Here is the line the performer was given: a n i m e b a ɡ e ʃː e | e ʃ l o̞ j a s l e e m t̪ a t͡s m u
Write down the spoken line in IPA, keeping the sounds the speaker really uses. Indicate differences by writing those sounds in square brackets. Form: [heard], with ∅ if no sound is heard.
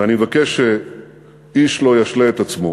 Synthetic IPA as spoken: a n i m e [v] a [k] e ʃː e | [i] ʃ l o̞ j a [ʃ] l e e [∅] t̪ a t͡s m [o]